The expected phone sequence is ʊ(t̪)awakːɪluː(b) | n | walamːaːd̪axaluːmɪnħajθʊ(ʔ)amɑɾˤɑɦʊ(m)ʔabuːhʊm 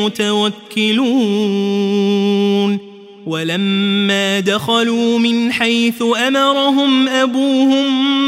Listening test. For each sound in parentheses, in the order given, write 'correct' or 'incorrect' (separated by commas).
correct, incorrect, correct, correct